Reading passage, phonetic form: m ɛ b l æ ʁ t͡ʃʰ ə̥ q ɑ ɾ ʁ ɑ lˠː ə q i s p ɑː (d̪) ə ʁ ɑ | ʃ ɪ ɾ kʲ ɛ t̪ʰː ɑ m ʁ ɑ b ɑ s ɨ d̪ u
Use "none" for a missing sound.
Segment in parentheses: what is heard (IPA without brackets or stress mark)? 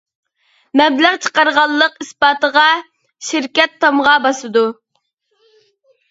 t̪